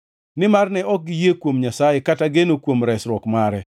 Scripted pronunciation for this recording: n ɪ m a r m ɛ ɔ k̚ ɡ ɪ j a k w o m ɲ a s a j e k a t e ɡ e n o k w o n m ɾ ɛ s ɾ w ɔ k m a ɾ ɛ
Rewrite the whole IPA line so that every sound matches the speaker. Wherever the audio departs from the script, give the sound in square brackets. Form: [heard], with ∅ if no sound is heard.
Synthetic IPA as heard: n ɪ m a r [n] ɛ ɔ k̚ ɡ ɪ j [e] k w o m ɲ a s a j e k a t [a] ɡ e n o k w o [∅] m ɾ ɛ s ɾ w ɔ k m a ɾ ɛ